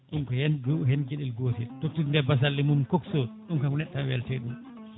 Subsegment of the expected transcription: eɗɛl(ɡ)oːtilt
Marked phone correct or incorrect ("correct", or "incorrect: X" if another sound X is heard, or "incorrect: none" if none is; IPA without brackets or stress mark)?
correct